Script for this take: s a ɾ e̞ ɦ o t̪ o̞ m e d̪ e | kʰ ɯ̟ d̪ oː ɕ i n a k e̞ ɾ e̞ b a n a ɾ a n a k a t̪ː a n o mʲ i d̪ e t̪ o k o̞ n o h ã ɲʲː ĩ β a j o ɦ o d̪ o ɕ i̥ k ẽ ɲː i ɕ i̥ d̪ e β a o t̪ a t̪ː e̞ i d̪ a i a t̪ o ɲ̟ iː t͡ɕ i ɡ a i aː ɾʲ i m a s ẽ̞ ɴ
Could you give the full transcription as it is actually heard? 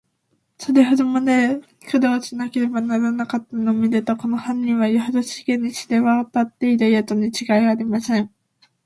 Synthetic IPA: s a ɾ e̞ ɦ o d̪ o̞ m a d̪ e | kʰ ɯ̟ d̪ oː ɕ i n a k e̞ ɾ e̞ b a n a ɾ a n a k a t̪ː a n o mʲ i d̪ e t̪ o k o̞ n o h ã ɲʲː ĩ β a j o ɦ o d̪ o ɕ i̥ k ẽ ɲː i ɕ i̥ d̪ e β a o t̪ a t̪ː e̞ i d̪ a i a t̪ o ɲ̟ i t͡ɕ i ɡ a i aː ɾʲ i m a s ẽ̞ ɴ